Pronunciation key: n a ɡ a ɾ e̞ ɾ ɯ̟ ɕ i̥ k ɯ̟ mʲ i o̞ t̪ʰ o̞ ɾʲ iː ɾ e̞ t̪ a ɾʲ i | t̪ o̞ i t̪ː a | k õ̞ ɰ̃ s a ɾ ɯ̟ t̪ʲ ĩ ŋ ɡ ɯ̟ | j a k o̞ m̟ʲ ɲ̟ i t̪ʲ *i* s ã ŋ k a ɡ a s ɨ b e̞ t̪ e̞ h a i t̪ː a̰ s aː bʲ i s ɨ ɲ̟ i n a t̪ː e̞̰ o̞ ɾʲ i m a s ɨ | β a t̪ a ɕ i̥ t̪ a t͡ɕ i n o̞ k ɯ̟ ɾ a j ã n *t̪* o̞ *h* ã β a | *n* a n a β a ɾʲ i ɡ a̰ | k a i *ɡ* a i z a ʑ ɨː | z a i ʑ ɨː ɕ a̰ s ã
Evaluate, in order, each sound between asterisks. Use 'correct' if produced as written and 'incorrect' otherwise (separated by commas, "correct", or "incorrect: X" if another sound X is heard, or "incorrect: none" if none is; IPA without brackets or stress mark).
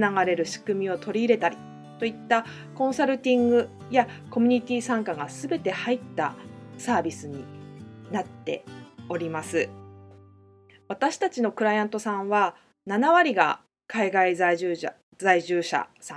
incorrect: iː, correct, incorrect: s, correct, correct